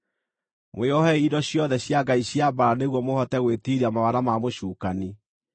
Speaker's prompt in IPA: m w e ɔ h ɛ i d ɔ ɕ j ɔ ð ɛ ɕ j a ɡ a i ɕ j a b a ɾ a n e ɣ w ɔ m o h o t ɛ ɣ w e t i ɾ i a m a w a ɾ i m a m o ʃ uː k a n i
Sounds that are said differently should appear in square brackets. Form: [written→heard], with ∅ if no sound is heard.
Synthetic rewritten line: m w e ɔ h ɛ i d ɔ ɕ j ɔ ð ɛ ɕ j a ɡ a i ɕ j a b a ɾ a n e ɣ w ɔ m o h [o→ɔ] t ɛ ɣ w e t i ɾ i a m a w a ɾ [i→a] m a m o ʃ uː k a n i